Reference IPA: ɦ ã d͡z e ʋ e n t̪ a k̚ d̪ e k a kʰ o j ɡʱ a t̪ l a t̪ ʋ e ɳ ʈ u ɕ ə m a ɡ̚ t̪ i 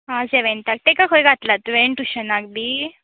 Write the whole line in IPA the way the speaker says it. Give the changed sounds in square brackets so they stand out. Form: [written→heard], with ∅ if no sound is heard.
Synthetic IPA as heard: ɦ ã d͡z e ʋ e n t̪ a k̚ [d̪→t̪] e k a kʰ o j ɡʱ a t̪ l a t̪ ʋ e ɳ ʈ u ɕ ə [m→n] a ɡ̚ [t̪→d̪] i